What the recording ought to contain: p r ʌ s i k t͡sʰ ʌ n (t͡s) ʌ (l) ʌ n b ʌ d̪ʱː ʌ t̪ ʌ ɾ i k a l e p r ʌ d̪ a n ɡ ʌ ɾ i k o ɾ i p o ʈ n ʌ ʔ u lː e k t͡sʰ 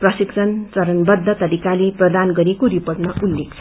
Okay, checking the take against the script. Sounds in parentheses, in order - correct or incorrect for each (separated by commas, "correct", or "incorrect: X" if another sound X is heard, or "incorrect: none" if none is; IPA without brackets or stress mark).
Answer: correct, incorrect: ɾ